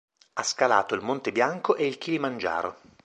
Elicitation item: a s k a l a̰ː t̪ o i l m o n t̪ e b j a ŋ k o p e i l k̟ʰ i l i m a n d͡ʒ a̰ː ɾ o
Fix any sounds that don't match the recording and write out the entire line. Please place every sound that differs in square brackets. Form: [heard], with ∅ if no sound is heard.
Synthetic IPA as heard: a s k a l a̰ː t̪ o i l m o n t̪ e b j a ŋ k o [ʔ] e i l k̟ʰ i l i m a n d͡ʒ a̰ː ɾ o